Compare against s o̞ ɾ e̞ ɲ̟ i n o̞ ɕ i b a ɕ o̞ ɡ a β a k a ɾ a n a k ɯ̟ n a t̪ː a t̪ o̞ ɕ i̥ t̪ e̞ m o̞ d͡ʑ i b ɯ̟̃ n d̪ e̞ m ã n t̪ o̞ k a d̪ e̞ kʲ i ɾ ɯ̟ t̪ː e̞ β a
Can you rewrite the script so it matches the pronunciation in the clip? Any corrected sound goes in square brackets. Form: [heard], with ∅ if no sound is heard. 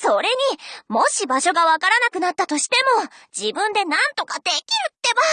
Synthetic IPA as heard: s o̞ ɾ e̞ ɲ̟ i [m] o̞ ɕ i b a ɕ o̞ ɡ a β a k a ɾ a n a k ɯ̟ n a t̪ː a t̪ o̞ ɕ i̥ t̪ e̞ m o̞ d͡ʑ i b ɯ̟̃ n d̪ e̞ [n] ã n t̪ o̞ k a d̪ e̞ kʲ i ɾ ɯ̟ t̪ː e̞ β a